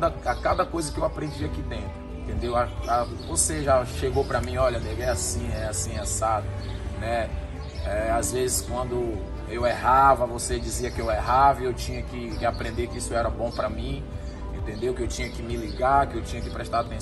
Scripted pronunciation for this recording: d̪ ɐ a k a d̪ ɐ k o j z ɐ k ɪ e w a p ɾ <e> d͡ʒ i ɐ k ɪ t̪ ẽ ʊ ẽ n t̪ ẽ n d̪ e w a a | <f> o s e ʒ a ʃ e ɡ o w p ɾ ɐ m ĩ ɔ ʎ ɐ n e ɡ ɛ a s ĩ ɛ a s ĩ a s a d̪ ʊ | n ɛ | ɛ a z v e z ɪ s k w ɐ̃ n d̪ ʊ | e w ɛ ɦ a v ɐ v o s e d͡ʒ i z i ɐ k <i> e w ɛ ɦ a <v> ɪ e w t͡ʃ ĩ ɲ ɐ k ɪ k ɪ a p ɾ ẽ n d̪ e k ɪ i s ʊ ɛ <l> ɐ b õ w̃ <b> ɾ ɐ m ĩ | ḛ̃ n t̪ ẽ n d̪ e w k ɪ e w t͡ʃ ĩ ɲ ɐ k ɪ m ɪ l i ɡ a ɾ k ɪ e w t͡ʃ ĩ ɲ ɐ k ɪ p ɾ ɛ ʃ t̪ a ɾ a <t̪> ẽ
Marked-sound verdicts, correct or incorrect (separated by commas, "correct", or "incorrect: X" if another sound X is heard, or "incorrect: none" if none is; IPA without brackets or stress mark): incorrect: ẽ, incorrect: v, incorrect: ɪ, correct, incorrect: ɾ, incorrect: p, correct